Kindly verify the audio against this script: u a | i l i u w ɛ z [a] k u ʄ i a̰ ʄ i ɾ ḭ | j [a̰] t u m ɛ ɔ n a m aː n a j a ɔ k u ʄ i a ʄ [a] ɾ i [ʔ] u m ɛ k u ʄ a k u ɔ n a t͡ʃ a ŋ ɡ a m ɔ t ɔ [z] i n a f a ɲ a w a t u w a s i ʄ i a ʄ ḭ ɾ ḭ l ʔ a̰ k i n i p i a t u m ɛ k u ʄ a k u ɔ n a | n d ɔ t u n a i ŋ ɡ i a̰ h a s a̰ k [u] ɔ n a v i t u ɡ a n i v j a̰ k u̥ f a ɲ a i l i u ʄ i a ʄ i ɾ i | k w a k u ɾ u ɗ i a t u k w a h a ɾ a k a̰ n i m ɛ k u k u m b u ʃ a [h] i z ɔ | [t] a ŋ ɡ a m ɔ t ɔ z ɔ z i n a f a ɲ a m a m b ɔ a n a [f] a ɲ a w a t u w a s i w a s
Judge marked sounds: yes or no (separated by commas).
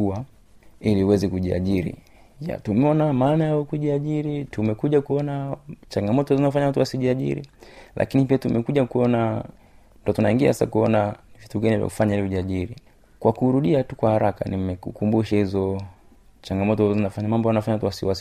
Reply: no, yes, no, no, yes, yes, yes, no, yes